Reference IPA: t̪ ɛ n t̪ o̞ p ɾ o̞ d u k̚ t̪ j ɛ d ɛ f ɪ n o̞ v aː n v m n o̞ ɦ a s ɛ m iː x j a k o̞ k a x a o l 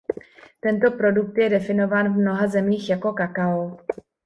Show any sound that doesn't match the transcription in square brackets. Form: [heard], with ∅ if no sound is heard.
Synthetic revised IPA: t̪ ɛ n t̪ o̞ p ɾ o̞ d u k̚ t̪ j ɛ d ɛ f ɪ n o̞ v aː n v m n o̞ ɦ a [z] ɛ m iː x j a k o̞ k a [k] a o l

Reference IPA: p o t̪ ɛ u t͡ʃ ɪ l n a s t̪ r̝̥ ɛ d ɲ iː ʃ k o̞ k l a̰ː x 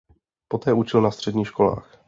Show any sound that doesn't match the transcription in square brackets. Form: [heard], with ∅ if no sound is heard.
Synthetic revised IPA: p o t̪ [ɛː] u t͡ʃ ɪ l n a s t̪ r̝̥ ɛ d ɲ iː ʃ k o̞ [∅] l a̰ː x

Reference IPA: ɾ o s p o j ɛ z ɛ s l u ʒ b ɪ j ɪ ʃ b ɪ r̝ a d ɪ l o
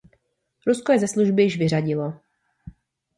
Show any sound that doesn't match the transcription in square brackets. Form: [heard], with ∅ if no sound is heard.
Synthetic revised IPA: ɾ [u] s [k] o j ɛ z ɛ s l u ʒ b ɪ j ɪ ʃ [v] ɪ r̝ a [ɟ] ɪ l o

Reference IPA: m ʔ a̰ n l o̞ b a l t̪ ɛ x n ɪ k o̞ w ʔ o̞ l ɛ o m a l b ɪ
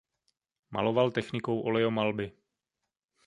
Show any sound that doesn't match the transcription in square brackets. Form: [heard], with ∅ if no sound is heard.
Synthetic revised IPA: m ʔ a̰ [∅] l o̞ [v] a l t̪ ɛ x n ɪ k o̞ w ʔ o̞ l ɛ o m a l b ɪ

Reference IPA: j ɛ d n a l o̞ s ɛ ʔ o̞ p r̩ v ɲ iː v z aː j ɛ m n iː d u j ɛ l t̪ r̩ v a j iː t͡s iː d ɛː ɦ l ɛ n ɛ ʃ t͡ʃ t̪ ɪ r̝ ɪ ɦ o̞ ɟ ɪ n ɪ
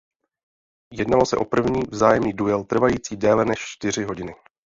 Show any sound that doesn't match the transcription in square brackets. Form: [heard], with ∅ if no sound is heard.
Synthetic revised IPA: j ɛ d n a l o̞ s ɛ ʔ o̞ p r̩ v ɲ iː v z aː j ɛ m n iː d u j ɛ l t̪ r̩ v a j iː t͡s iː d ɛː [∅] l ɛ n ɛ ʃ t͡ʃ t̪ ɪ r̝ ɪ ɦ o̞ ɟ ɪ n ɪ

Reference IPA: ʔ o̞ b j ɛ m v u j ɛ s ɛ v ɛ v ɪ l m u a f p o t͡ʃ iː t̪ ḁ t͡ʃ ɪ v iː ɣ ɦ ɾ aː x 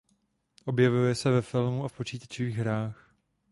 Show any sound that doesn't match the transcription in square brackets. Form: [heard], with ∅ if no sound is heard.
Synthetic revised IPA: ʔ o̞ b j ɛ [∅] v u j ɛ s ɛ v ɛ [f] ɪ l m u a f p o t͡ʃ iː t̪ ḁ t͡ʃ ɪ v iː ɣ ɦ ɾ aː x

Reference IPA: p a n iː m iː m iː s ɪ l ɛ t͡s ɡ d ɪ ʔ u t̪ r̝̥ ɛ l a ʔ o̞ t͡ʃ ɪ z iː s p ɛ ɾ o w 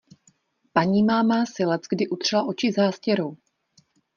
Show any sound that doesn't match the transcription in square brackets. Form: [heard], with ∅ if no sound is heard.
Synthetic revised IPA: p a [ɲ] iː m [aː] m [aː] s ɪ l ɛ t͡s ɡ d ɪ ʔ u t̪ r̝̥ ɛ l a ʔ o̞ t͡ʃ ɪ z [aː] s [c] ɛ ɾ o w

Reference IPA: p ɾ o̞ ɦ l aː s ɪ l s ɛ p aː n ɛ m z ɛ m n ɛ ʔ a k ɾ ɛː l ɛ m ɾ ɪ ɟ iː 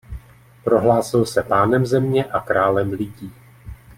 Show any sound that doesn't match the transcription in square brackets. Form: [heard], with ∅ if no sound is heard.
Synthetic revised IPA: p ɾ o̞ ɦ l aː s ɪ l s ɛ p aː n ɛ m z ɛ m [ɲ] ɛ ʔ a k ɾ [aː] l ɛ m [l] ɪ ɟ iː

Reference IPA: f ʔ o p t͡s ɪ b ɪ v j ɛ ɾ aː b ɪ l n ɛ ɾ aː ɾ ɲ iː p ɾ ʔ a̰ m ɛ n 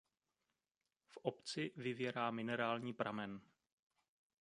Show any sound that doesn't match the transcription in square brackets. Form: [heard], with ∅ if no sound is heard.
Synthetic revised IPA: f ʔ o p t͡s ɪ [v] ɪ v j ɛ ɾ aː [m] ɪ [∅] n ɛ ɾ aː [l] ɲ iː p ɾ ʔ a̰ m ɛ n

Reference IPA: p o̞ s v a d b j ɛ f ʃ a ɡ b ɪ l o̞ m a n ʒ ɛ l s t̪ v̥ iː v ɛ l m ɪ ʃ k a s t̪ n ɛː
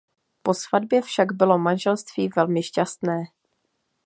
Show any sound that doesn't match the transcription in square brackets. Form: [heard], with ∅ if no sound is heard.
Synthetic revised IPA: p o̞ s v a d b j ɛ f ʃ a ɡ b ɪ l o̞ m a n ʒ ɛ l s t̪ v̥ iː v ɛ l m ɪ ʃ [c] a s t̪ n ɛː

